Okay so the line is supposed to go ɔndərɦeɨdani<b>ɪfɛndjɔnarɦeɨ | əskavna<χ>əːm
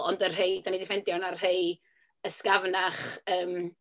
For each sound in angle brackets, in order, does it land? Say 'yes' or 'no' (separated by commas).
no, yes